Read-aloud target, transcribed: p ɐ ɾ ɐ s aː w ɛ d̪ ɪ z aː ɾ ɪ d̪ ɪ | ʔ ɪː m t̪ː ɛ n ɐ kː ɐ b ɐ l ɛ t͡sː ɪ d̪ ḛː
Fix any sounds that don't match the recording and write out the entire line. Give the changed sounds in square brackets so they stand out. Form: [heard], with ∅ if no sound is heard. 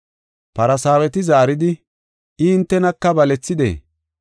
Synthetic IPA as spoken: p ɐ ɾ ɐ s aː w ɛ [t̪] ɪ z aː ɾ ɪ d̪ ɪ | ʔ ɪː [n] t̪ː ɛ n ɐ kː ɐ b ɐ l ɛ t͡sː ɪ d̪ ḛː